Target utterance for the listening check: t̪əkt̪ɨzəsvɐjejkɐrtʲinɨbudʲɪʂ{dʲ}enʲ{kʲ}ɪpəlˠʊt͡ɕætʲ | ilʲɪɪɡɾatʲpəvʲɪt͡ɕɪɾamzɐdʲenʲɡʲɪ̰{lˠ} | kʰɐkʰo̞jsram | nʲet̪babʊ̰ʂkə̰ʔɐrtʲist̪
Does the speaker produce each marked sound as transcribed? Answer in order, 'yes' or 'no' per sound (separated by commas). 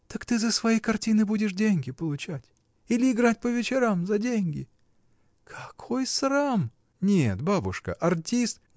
yes, no, no